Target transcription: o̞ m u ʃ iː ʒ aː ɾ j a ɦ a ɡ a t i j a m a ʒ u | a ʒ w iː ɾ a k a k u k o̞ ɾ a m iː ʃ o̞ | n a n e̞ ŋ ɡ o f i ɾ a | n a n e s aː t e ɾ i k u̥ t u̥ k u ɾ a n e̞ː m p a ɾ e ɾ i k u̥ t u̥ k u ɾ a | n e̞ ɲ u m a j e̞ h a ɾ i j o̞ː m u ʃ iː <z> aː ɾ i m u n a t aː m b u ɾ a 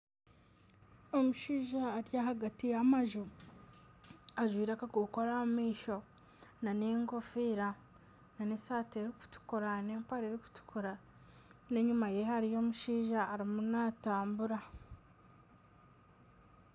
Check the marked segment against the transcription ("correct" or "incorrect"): incorrect